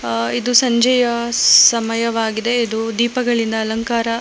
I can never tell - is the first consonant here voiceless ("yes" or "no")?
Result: no